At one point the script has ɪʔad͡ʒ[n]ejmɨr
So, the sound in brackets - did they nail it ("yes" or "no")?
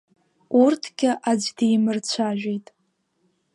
no